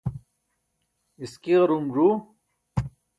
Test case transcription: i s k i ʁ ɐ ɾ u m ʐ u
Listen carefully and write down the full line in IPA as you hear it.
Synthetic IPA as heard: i s k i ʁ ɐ ɾ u m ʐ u